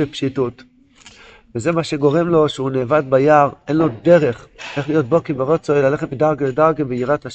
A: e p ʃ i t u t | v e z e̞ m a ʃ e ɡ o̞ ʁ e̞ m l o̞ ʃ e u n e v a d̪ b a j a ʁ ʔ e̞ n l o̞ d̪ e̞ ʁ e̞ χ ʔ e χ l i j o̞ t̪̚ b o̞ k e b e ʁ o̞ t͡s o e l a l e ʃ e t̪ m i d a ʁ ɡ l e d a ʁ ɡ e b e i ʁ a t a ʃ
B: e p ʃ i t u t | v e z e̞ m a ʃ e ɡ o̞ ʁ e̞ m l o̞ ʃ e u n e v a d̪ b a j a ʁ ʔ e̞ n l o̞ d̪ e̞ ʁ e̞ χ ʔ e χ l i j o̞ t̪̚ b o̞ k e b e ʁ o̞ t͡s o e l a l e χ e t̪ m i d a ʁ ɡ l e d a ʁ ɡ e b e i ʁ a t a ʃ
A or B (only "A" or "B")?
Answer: B